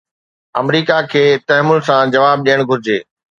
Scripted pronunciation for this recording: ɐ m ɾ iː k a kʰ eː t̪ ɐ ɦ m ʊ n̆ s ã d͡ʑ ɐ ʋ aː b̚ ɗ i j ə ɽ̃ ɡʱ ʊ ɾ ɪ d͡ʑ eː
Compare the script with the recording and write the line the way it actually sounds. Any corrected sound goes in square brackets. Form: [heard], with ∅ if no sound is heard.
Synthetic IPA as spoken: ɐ m ɾ iː k a kʰ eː t̪ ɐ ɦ m ʊ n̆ s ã d͡ʑ ɐ ʋ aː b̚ ɗ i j ə ɽ̃ ɡʱ ʊ ɾ ɪ d͡ʑ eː